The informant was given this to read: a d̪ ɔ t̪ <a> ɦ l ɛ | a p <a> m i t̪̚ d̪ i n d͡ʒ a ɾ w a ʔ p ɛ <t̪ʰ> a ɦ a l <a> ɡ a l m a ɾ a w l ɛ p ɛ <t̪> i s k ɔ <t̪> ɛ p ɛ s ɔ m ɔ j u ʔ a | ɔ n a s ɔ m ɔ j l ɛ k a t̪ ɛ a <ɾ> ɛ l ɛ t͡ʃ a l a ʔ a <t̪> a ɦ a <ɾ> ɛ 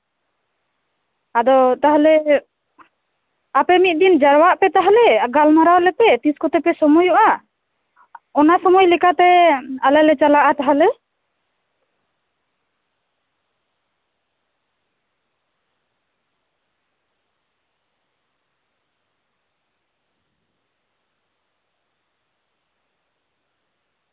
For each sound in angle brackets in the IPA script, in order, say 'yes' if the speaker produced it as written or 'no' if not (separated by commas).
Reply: yes, no, no, no, yes, yes, no, yes, no